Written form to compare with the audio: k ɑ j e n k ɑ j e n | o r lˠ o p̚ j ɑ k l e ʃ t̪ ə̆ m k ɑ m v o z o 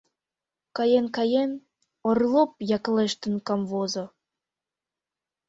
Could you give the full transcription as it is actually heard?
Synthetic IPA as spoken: k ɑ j e n k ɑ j e n | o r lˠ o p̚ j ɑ k l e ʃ t̪ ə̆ n k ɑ m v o z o